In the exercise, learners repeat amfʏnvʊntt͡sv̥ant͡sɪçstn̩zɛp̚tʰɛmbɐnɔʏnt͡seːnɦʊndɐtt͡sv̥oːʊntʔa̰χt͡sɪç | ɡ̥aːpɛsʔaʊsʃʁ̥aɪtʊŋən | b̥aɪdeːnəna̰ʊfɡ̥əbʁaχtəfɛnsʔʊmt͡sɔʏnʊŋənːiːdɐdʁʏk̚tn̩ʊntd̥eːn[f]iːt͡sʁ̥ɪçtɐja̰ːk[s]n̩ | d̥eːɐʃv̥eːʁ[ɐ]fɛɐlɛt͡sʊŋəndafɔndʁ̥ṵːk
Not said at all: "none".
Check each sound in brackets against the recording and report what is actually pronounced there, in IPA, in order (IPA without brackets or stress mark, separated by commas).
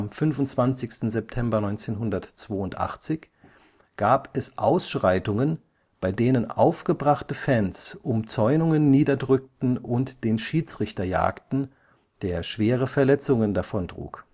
ʃ, t, ə